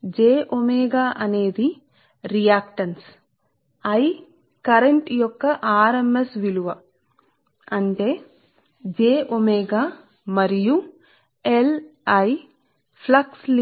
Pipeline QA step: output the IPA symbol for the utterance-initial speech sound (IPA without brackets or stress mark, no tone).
d͡ʒ